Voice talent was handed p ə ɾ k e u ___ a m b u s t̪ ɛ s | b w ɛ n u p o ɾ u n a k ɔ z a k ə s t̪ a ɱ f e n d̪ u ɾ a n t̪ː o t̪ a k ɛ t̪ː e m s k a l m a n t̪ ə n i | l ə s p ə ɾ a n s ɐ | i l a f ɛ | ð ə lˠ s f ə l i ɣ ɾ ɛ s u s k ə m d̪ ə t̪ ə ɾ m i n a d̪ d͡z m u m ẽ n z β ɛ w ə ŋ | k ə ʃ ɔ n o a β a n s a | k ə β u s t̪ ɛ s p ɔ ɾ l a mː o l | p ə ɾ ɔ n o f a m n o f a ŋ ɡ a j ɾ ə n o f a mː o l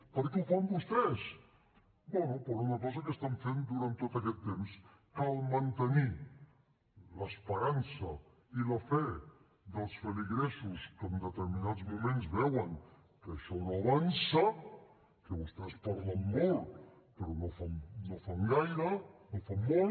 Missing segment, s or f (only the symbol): f